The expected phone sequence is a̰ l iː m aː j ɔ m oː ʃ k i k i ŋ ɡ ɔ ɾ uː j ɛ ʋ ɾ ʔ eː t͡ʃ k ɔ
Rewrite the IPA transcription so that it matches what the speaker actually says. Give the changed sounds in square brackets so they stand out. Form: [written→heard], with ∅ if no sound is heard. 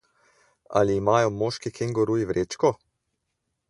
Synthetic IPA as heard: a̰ l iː m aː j ɔ m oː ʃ k i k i ŋ ɡ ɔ ɾ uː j [ɛ→i] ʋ ɾ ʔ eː t͡ʃ k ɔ